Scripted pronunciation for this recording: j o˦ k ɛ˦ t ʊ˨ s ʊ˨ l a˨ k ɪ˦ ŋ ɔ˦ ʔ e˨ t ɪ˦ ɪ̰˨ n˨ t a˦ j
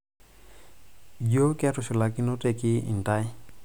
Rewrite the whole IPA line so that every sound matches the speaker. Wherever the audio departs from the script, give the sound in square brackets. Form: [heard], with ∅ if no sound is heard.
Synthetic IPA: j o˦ k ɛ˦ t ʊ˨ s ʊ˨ l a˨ k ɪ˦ [n] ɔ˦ [t] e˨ [k] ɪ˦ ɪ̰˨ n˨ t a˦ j